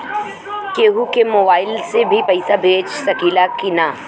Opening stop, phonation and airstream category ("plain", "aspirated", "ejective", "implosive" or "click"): plain